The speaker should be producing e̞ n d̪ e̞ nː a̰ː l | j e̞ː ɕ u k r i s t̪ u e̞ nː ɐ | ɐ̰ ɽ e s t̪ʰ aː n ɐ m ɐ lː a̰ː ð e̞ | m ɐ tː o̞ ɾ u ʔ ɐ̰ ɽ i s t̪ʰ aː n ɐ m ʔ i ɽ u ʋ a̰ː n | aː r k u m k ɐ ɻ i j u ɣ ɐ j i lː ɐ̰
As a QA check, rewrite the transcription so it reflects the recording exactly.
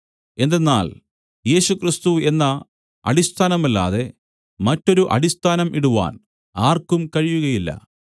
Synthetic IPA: e̞ n d̪ e̞ nː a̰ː l | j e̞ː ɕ u k r i s t̪ u e̞ nː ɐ | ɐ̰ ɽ i s t̪ʰ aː n ɐ m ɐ lː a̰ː ð e̞ | m ɐ tː o̞ ɾ u ʔ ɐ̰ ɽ i s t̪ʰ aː n ɐ m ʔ i ɽ u ʋ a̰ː n | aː r k u m k ɐ ɻ i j u ɣ ɐ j i lː ɐ̰